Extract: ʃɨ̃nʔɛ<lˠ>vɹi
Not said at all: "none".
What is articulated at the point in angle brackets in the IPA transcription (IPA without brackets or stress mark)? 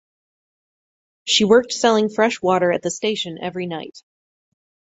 none